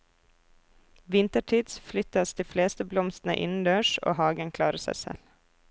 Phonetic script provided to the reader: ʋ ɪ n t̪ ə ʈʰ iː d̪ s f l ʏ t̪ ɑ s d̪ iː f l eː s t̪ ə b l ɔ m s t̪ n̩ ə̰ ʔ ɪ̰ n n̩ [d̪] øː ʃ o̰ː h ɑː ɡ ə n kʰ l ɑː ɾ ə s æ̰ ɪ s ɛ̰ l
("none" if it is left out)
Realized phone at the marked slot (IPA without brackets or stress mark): d̪